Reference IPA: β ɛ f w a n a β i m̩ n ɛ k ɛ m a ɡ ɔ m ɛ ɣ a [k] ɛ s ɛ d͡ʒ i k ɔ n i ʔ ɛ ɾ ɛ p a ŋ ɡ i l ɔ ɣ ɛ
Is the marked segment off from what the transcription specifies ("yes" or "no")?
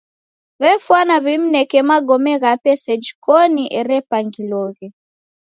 yes